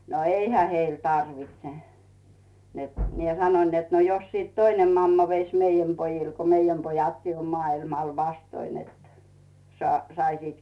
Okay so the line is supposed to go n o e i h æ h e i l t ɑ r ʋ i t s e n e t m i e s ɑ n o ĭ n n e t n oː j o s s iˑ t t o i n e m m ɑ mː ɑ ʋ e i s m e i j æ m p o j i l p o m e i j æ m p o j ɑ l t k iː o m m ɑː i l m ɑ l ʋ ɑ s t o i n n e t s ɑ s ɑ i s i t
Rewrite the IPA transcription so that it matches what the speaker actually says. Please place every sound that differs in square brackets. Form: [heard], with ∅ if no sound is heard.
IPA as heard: n o e i h æ h e i l t ɑ r ʋ i t s e n e t m i e s ɑ n o ĭ n n e t n [o] j o s s iˑ t t o i n e m m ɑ mː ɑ ʋ e i s m e i j æ m p o j i l [k] o m e i j æ m p o j ɑ [∅] t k iː o m m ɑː i l m ɑ l ʋ ɑ s t o i n n e t s ɑ s ɑ i s i t